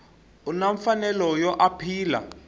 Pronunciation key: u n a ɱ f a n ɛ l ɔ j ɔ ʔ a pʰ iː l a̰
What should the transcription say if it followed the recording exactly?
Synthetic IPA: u n a ɱ f a n ɛ l ɔ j ɔ ʔ a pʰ iː l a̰